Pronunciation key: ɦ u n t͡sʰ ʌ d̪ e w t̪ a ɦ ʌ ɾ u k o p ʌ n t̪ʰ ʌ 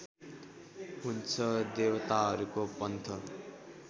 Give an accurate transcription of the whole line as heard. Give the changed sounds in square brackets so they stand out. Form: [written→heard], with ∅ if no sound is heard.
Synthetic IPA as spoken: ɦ u n t͡sʰ ʌ d̪ e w t̪ a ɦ ʌ ɾ u k o p ʌ n t̪ʰ ʌ